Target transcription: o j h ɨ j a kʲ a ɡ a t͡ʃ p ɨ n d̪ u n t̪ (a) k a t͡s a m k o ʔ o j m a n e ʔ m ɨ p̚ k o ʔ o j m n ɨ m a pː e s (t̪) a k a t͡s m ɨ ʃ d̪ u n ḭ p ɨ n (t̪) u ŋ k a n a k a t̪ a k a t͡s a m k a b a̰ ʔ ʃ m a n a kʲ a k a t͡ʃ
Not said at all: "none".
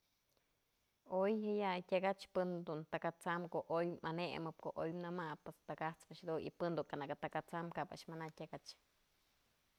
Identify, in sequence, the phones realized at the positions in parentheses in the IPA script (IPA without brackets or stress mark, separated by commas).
a, t̪, d̪